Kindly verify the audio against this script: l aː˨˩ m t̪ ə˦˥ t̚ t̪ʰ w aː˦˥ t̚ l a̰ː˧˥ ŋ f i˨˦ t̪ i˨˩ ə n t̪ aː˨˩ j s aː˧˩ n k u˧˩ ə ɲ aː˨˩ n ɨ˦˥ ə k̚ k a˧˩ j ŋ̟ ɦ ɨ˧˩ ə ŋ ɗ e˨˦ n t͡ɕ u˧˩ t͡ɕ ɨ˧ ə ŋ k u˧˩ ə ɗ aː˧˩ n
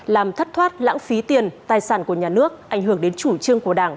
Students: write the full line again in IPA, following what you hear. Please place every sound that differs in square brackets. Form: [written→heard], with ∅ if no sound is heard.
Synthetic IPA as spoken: l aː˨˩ m [t̪→t̪ʰ] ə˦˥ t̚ t̪ʰ w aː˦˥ t̚ l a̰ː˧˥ ŋ f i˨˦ t̪ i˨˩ ə n t̪ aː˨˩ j s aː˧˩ n k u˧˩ ə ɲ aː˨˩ n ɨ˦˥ ə k̚ [k→ʔ] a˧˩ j ŋ̟ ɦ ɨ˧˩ ə ŋ ɗ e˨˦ n t͡ɕ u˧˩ t͡ɕ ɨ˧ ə ŋ k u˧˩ ə ɗ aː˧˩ [n→ŋ]